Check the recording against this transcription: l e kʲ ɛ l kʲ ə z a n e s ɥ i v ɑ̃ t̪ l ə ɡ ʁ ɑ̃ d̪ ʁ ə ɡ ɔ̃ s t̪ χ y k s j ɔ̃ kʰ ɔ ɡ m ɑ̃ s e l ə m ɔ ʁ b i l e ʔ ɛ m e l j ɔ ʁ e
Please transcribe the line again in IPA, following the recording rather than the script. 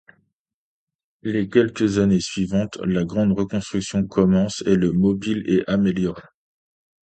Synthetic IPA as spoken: l e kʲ ɛ l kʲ ə z a n e s ɥ i v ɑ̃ t̪ l a ɡ ʁ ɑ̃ d̪ ʁ ə k ɔ̃ s t̪ χ y k s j ɔ̃ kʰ ɔ m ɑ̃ s e l ə m ɔ b i l e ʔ a m e l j ɔ ʁ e